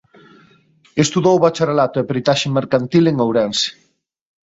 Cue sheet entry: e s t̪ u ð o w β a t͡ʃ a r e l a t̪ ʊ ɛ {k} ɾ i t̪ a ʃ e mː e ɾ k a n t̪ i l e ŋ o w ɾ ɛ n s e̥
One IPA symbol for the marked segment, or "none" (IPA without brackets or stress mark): p